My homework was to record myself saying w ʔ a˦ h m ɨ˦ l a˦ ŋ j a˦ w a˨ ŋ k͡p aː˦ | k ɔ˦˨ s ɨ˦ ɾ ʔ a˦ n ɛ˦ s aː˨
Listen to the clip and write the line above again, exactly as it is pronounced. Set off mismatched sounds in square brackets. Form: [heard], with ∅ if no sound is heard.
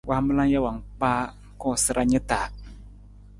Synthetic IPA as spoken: w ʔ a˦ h m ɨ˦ l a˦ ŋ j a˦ w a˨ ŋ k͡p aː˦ | k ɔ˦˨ s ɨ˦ ɾ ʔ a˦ [ɲ] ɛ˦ [t] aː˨